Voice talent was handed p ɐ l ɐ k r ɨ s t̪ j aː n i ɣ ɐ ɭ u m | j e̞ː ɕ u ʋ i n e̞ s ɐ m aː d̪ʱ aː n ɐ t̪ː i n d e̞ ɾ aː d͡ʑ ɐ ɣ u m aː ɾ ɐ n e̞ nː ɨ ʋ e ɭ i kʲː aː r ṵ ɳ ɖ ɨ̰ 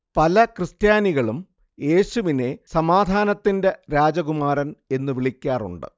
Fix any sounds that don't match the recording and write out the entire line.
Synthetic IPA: p ɐ l ɐ k r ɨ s t̪ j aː n i ɣ ɐ ɭ u m | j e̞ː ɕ u ʋ i n e̞ s ɐ m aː d̪ʱ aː n ɐ t̪ː i n d e̞ ɾ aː d͡ʑ ɐ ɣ u m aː ɾ ɐ n e̞ nː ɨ ʋ i ɭ i kʲː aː r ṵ ɳ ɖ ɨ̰

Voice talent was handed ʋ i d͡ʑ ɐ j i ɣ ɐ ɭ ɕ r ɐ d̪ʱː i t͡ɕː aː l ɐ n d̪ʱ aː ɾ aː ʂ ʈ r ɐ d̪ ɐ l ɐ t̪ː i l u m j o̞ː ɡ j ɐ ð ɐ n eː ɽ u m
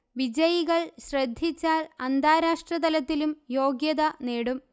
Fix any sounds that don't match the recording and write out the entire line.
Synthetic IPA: ʋ i d͡ʑ ɐ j i ɣ ɐ ɭ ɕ r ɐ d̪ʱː i t͡ɕː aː l ɐ n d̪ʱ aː ɾ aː ʂ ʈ r ɐ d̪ ɐ l ɐ t̪ː i l u m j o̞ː ɡ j ɐ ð ɐ n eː ɽ u m

